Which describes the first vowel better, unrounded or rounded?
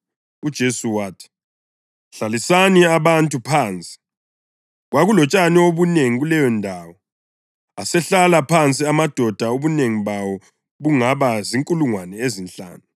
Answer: rounded